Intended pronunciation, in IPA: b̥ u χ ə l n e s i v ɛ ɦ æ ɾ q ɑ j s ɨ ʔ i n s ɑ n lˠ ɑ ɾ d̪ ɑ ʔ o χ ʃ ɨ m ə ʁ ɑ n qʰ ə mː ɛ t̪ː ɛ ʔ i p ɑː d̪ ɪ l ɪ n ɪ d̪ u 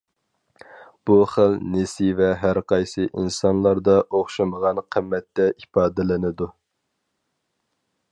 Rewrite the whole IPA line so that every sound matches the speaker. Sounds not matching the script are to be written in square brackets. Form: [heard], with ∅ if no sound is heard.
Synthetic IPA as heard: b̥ u χ ə l n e s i v ɛ ɦ æ ɾ q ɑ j s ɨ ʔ i n s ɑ n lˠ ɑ ɾ d̪ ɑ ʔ o χ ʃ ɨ m ə ʁ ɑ n qʰ ə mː ɛ t̪ː ɛ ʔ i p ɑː d̪ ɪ l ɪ n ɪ d̪ u